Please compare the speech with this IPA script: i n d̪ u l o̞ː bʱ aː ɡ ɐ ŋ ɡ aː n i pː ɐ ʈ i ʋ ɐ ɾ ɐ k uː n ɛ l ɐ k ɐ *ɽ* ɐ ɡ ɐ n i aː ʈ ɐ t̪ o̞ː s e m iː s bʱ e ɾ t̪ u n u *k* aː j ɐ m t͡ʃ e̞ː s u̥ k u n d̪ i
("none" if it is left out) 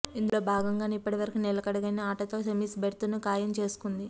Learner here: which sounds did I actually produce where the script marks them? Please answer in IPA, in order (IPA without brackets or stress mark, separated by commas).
ɽ, k